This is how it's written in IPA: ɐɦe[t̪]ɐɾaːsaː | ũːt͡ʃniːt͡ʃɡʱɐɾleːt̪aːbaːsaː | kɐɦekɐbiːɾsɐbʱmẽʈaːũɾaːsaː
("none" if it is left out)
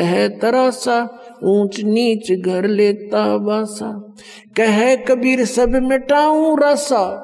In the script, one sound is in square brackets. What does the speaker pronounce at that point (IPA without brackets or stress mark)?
t̪